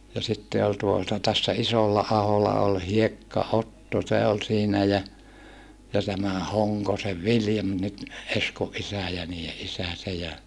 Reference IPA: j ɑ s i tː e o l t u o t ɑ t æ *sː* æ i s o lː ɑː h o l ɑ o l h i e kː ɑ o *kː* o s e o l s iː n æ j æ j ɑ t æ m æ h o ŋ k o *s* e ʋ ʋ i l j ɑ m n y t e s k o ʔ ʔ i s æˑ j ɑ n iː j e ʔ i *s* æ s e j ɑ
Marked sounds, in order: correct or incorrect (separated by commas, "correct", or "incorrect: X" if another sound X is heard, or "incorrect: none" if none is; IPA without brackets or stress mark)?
correct, incorrect: tː, correct, correct